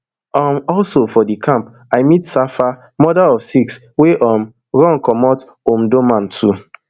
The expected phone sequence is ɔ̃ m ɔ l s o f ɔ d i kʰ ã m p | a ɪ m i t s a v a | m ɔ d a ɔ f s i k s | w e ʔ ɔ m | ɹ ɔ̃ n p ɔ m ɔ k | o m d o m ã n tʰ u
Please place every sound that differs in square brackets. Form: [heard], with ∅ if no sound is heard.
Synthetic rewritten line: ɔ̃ m ɔ l s o f ɔ d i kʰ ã m p | a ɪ m i t s a [f] a | m ɔ d a ɔ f s i k s | w e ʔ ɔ m | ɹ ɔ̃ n [k] ɔ m ɔ [t] | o m d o m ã n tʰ u

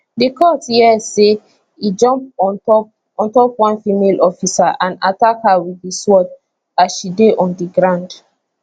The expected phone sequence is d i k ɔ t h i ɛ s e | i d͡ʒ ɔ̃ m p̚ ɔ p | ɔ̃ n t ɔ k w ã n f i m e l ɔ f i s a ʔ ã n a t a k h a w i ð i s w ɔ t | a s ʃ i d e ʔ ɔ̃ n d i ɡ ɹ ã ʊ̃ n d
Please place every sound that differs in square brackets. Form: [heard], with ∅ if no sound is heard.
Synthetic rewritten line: d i k ɔ t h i ɛ s e | i d͡ʒ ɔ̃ m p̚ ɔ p | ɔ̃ n t ɔ [p] w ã n f i m e l ɔ f i s a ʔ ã n a t a k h a w i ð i s w ɔ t | a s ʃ i d e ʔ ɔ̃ n d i ɡ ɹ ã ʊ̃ n d

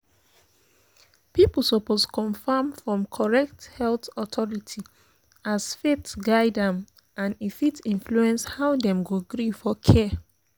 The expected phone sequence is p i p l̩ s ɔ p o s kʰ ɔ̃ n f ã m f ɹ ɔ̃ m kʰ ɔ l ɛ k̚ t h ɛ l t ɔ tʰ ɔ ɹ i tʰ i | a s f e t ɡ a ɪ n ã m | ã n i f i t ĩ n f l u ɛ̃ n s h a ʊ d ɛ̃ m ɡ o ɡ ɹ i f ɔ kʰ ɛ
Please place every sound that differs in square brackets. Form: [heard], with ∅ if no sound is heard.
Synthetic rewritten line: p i p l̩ s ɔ p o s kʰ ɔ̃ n f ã m f ɹ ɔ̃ m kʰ ɔ [ɹ] ɛ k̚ t h ɛ l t ɔ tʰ ɔ ɹ i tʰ i | a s f e t ɡ a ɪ [d] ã m | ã n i f i t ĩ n f l u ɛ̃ n s h a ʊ d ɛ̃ m ɡ o ɡ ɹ i f ɔ kʰ ɛ

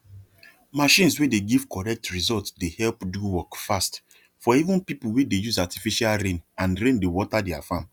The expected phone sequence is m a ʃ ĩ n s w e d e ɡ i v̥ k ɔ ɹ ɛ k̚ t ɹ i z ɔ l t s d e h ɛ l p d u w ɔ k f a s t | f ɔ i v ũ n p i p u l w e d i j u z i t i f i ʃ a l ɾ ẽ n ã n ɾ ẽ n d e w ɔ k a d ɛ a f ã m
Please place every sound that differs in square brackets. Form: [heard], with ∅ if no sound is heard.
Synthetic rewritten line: m a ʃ ĩ n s w e d e ɡ i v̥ k ɔ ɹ ɛ k̚ t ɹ i z ɔ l t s d e h ɛ l p d u w ɔ k f a s t | f ɔ i v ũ n p i p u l w e d [e] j u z [a] t i f i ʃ a l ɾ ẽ n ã n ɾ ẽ n d e w ɔ [t] a d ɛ a f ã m

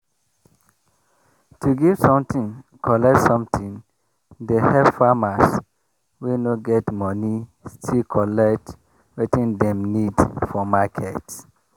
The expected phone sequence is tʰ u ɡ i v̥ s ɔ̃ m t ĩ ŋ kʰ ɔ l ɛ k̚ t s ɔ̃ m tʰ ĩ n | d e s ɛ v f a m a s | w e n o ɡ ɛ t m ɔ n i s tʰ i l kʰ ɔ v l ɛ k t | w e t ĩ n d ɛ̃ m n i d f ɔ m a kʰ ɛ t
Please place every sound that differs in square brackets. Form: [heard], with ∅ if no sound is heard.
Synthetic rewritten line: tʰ u ɡ i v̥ s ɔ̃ m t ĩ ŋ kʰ ɔ l ɛ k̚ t s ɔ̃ m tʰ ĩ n | d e [h] ɛ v f a m a s | w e n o ɡ ɛ t m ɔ n i s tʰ i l kʰ ɔ [∅] l ɛ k t | w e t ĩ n d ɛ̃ m n i d f ɔ m a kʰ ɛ t

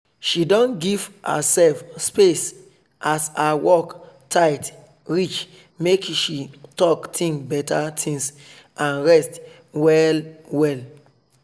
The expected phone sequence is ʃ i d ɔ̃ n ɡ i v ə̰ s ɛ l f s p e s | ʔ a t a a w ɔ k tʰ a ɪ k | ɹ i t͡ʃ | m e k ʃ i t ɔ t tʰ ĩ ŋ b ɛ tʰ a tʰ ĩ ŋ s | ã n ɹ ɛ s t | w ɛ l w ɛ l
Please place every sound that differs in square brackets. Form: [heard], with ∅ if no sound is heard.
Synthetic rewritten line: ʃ i d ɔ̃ n ɡ i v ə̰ s ɛ l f s p e s | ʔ a [s] a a w ɔ k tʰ a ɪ [t] | ɹ i t͡ʃ | m e k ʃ i t ɔ [k] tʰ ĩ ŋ b ɛ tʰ a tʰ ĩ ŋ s | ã n ɹ ɛ s t | w ɛ l w ɛ l

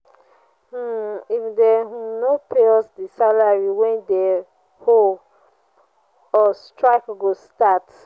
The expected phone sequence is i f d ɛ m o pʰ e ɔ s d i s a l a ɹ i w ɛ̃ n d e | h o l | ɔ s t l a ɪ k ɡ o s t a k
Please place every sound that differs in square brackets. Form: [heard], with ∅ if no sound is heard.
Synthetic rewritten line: i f d ɛ [n] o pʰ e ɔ s d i s a l a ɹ i w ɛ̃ n d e | h o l | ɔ s t [ɹ] a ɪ k ɡ o s t a [t]

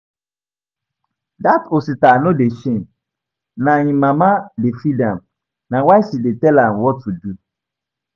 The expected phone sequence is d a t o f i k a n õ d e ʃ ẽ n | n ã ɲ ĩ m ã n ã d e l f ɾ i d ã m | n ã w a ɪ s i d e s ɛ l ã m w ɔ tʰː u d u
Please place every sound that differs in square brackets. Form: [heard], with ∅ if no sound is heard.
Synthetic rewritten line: d a t o [s] i [t] a n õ d e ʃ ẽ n | n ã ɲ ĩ m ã [m] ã d e [∅] f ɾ i d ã m | n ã w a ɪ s i d e [t] ɛ l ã m w ɔ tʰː u d u

